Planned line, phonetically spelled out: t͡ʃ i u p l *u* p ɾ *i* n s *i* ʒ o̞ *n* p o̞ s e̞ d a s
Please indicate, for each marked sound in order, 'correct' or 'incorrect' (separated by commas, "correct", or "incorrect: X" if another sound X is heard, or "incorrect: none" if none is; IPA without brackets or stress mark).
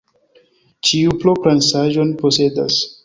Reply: incorrect: o, incorrect: a, incorrect: a, correct